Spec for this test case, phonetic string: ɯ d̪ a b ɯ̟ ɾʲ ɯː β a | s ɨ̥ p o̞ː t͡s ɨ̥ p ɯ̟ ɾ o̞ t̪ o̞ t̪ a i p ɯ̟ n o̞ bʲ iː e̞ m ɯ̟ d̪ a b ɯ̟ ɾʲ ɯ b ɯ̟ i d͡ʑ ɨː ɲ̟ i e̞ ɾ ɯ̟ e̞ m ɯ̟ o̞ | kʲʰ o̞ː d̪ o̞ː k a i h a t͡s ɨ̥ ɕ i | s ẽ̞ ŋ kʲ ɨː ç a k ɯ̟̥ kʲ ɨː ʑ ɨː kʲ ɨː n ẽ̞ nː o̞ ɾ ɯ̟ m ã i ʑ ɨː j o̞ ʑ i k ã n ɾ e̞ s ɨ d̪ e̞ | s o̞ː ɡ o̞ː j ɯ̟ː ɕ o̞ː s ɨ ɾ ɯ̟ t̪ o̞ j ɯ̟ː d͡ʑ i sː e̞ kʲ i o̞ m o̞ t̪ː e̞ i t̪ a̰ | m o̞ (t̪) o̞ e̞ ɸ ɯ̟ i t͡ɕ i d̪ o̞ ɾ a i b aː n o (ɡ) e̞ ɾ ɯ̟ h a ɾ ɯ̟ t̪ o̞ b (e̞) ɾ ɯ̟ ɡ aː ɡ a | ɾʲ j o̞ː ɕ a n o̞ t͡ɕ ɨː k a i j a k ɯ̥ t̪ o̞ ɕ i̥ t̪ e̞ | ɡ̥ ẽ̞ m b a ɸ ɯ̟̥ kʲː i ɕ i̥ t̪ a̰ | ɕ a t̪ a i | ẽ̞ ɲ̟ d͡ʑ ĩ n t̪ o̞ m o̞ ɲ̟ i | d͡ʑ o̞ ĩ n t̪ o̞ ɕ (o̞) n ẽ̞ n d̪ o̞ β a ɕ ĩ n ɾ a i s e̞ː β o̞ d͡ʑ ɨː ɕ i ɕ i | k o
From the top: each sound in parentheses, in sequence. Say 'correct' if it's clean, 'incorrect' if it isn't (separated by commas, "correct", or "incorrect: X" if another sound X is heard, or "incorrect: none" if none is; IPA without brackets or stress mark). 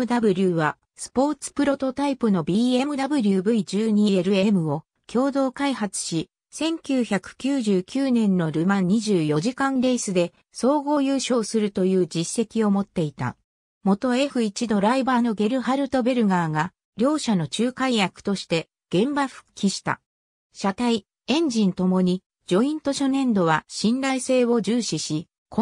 correct, correct, correct, correct